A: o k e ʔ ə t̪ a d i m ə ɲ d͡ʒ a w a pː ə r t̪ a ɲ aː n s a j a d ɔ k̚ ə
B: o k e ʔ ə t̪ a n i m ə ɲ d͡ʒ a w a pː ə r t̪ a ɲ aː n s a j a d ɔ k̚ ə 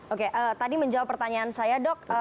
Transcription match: A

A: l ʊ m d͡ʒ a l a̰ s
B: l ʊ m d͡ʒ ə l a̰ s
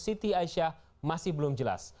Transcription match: B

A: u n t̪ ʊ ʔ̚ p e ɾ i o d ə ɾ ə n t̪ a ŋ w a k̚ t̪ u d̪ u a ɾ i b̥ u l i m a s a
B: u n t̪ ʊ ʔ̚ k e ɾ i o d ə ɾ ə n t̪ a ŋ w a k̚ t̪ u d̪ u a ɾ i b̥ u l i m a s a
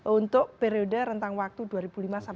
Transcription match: A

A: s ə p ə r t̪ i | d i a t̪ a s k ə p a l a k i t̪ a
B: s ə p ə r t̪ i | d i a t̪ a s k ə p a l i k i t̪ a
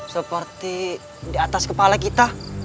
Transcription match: A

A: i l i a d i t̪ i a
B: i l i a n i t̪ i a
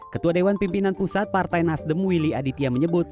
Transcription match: A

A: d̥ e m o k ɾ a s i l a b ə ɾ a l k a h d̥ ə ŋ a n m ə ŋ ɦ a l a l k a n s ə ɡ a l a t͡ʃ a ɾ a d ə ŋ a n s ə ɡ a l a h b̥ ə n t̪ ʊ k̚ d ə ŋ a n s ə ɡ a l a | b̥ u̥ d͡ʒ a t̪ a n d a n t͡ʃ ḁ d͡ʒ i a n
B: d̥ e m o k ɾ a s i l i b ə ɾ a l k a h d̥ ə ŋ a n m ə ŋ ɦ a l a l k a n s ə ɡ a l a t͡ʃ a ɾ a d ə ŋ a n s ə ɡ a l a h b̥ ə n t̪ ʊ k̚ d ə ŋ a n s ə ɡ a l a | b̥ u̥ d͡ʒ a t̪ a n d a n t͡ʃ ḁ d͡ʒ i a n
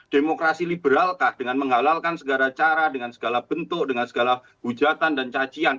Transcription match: B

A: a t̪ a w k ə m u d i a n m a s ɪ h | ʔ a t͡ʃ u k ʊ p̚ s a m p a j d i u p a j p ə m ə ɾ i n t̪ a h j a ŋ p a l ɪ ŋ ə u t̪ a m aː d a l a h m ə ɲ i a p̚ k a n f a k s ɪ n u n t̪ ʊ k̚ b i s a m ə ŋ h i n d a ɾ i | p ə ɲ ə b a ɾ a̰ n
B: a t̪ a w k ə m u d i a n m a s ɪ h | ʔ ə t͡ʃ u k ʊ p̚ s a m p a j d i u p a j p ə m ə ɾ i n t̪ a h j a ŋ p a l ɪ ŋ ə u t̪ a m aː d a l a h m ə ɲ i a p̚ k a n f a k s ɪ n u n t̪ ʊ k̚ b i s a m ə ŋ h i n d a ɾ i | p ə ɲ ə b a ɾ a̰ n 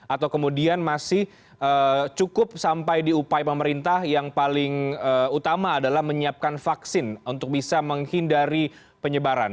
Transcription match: B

